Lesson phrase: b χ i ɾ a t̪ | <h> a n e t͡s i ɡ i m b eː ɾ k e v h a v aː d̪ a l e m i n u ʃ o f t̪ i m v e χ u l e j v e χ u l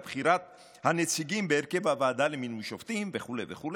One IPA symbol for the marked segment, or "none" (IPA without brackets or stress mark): h